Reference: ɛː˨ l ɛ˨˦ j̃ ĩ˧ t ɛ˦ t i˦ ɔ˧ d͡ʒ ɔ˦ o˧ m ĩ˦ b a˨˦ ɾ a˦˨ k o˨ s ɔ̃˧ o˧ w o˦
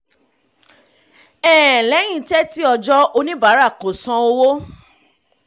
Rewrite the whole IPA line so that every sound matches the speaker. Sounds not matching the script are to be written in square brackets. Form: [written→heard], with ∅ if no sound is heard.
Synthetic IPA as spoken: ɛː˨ l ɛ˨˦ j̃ ĩ˧ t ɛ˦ t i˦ ɔ˧ d͡ʒ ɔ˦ o˧ [m→n] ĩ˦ b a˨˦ ɾ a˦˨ k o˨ s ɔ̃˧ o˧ w o˦